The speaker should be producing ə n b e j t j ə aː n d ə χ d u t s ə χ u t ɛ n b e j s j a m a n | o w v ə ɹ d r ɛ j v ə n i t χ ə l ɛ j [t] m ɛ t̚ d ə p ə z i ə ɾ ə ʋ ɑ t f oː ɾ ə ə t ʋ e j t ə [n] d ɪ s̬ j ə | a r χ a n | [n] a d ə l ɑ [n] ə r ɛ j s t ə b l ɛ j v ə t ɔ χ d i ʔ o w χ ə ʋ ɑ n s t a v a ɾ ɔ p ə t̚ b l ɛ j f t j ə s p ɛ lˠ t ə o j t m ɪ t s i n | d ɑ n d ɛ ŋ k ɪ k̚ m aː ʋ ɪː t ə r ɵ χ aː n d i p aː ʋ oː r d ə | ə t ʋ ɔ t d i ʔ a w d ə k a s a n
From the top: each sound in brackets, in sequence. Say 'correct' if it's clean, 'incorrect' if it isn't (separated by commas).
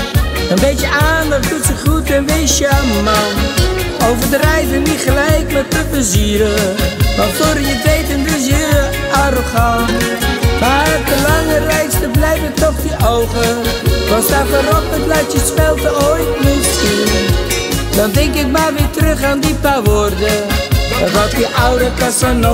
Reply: incorrect, correct, incorrect, incorrect